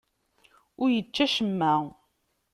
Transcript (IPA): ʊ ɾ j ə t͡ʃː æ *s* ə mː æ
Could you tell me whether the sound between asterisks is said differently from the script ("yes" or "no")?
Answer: yes